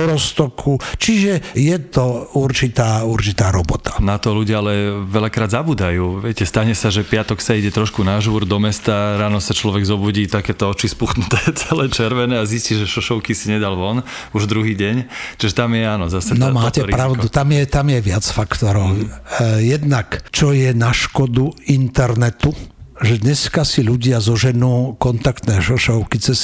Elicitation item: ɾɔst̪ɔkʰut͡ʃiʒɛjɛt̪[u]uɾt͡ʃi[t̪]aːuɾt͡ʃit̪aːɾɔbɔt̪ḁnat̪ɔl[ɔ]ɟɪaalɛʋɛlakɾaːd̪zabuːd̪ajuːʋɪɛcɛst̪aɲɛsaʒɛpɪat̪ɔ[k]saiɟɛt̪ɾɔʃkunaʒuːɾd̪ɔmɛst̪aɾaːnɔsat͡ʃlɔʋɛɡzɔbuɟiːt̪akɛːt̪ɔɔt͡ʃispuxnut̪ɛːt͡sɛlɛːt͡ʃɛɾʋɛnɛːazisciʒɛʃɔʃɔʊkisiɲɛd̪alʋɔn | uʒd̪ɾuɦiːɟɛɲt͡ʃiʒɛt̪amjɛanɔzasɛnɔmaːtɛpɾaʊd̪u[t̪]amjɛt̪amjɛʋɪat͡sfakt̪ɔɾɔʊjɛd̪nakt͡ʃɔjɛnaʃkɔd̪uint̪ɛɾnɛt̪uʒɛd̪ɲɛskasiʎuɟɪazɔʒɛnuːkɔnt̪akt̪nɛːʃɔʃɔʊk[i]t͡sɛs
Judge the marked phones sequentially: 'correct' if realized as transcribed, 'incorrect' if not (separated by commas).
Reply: incorrect, correct, incorrect, correct, correct, correct